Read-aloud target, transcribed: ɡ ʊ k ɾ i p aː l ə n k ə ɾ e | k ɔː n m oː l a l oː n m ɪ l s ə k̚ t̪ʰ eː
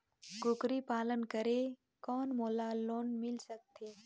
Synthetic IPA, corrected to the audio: ɡ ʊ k ɾ i p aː l ə n k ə ɾ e | k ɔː n m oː l a l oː n m ɪ l s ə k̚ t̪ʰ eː